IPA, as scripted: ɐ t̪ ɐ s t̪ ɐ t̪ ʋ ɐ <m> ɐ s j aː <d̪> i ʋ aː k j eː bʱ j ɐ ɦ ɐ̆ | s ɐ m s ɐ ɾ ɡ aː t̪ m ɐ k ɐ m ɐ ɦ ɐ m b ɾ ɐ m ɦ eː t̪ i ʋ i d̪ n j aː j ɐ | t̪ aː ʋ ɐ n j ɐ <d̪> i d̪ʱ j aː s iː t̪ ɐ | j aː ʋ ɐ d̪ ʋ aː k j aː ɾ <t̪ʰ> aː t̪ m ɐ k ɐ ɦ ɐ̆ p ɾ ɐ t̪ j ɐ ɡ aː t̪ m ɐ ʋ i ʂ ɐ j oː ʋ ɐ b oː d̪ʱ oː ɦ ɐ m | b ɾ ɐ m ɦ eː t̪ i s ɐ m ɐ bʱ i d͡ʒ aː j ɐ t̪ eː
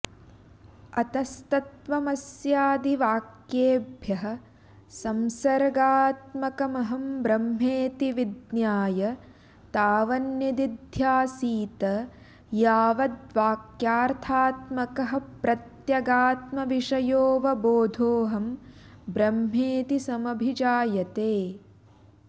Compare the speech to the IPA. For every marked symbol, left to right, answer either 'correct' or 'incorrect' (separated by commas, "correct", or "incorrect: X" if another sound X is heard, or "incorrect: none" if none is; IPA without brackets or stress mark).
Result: correct, correct, correct, correct